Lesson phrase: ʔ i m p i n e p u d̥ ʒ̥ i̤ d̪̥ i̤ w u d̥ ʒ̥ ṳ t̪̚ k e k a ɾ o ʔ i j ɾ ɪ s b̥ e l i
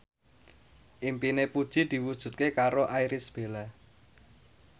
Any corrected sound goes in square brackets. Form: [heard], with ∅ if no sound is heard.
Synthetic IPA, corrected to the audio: ʔ i m p i n e p u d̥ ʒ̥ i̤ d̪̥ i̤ w u d̥ ʒ̥ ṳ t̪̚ k e k a ɾ o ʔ [a] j ɾ ɪ s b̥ e l [a]